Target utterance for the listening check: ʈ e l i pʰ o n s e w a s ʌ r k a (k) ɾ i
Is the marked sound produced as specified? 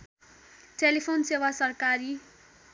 no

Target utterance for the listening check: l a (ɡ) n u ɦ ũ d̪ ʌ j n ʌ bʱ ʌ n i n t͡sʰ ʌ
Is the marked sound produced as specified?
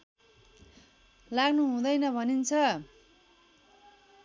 yes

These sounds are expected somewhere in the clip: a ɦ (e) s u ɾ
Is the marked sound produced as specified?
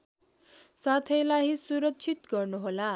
no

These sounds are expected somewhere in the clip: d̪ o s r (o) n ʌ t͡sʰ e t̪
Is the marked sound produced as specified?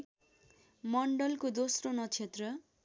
yes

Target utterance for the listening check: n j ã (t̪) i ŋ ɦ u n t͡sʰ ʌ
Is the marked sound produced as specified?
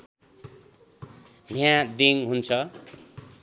no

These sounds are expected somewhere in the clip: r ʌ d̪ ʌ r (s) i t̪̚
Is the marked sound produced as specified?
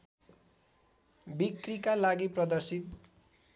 yes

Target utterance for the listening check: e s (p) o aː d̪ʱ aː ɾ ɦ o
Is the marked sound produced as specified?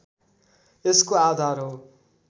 no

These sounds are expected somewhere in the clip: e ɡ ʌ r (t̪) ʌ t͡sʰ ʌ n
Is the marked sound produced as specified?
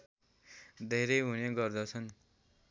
no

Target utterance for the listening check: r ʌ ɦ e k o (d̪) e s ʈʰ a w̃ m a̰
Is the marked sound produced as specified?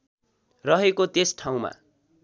no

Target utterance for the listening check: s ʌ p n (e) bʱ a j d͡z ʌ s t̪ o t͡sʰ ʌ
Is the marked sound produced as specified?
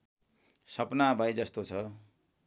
no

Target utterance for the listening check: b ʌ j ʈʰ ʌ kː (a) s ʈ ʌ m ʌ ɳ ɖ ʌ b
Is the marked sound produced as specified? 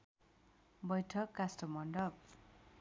yes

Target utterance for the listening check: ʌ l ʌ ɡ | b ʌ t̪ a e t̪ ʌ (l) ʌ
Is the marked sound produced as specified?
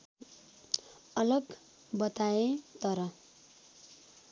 no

